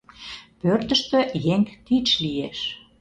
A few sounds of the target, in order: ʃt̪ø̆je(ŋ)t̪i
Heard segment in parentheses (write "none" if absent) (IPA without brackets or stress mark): ŋ